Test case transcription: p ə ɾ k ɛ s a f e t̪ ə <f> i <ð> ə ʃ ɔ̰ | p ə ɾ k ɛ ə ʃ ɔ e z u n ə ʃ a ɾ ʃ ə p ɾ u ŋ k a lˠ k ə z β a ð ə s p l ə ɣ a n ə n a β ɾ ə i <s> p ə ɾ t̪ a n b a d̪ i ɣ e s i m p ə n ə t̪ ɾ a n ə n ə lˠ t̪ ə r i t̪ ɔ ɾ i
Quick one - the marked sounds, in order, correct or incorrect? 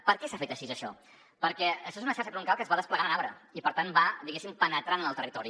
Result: incorrect, incorrect, incorrect

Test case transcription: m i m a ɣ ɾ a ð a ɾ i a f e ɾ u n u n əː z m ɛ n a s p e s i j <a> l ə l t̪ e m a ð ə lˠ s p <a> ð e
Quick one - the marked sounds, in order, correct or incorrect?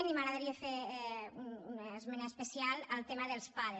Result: correct, correct

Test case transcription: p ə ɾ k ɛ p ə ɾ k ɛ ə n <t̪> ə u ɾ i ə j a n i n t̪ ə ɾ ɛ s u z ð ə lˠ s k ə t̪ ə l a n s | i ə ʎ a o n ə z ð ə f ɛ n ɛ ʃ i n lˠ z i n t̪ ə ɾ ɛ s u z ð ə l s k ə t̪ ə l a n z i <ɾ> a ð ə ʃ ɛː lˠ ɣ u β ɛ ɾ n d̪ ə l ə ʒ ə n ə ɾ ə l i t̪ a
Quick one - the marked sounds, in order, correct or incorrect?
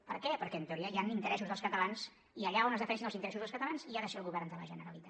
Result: correct, incorrect

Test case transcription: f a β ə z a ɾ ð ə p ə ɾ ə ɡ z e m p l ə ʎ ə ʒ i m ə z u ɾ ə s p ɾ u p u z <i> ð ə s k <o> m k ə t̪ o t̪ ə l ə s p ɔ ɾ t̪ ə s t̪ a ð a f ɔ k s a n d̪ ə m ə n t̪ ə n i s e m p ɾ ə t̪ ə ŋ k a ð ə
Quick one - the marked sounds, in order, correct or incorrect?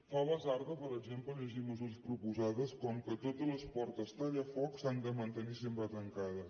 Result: incorrect, incorrect

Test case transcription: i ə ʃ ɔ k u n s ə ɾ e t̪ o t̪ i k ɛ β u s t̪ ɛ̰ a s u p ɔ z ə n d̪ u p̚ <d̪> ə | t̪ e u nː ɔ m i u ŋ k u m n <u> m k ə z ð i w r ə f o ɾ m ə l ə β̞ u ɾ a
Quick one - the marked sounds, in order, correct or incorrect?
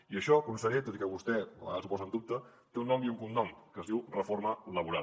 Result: incorrect, incorrect

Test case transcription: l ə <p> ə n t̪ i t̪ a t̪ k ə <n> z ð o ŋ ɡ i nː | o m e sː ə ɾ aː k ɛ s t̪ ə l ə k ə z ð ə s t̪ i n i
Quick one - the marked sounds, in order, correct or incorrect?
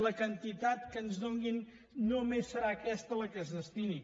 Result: incorrect, correct

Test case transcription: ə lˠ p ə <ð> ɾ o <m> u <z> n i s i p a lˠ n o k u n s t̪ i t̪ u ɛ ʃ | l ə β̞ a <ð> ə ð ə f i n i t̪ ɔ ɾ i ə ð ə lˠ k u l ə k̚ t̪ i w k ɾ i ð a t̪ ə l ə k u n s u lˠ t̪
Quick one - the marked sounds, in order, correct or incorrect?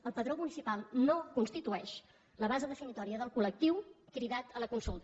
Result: correct, correct, incorrect, incorrect

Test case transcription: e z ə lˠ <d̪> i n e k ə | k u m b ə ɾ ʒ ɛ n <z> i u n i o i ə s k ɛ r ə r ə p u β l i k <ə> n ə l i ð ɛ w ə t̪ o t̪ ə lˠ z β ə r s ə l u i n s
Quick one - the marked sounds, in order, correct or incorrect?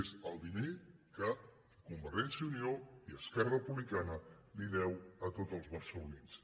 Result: correct, incorrect, incorrect

